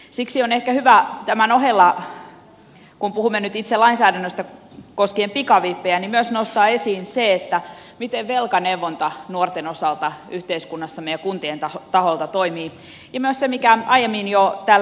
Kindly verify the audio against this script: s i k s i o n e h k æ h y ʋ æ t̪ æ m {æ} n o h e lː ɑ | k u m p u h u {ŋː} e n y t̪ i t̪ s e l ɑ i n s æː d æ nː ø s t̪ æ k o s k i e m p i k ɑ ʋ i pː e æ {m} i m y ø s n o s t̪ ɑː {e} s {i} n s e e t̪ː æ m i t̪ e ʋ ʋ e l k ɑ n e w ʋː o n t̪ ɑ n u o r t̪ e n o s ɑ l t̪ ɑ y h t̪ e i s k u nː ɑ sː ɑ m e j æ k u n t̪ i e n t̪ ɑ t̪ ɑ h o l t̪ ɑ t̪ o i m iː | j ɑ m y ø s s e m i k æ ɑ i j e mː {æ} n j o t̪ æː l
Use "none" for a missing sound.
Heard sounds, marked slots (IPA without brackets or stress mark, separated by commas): æ, mː, n, e, iː, i